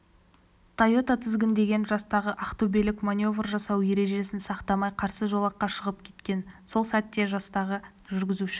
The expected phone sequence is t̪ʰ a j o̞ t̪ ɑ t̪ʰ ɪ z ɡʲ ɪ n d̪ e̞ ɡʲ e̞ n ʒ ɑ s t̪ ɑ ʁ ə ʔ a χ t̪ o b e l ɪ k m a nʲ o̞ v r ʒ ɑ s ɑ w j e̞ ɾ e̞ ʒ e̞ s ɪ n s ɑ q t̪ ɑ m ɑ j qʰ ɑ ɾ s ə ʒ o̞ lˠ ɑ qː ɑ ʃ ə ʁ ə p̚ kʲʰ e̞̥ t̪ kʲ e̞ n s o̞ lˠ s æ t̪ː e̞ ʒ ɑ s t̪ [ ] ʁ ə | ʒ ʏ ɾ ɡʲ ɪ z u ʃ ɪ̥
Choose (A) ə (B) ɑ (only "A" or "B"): B